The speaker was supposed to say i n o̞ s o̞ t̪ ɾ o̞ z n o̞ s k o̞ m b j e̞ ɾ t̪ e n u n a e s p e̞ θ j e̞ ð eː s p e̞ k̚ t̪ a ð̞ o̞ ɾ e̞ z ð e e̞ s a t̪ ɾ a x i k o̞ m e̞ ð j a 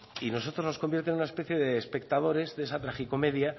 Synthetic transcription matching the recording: i n o̞ s o̞ t̪ ɾ o̞ z n o̞ s k o̞ m b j e̞ ɾ t̪ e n u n a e s p e̞ θ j e̞ ð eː s p e̞ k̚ t̪ a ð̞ o̞ ɾ e̞ z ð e e̞ s a t̪ ɾ a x i k o̞ m e̞ ð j a